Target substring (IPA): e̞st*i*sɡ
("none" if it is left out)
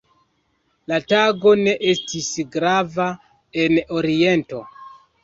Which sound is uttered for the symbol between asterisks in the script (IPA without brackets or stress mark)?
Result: i